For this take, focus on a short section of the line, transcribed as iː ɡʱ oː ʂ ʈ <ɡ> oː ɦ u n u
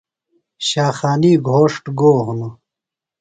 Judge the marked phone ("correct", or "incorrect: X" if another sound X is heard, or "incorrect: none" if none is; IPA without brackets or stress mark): correct